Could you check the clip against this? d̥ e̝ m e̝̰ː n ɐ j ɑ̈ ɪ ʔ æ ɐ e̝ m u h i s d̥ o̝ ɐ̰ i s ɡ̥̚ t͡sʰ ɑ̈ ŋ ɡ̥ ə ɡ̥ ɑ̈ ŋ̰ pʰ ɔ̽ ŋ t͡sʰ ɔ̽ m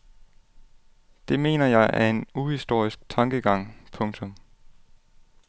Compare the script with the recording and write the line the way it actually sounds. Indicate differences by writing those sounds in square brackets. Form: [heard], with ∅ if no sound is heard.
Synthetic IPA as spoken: d̥ e̝ m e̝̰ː n ɐ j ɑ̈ ɪ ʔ æ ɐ e̝ [n] u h i s d̥ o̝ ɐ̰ i s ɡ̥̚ t͡sʰ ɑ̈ ŋ ɡ̥ ə ɡ̥ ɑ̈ ŋ̰ pʰ ɔ̽ ŋ t͡sʰ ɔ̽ m